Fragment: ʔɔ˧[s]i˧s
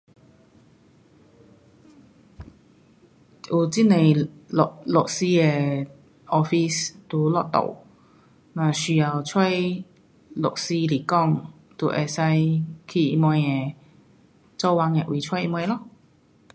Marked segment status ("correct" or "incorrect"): incorrect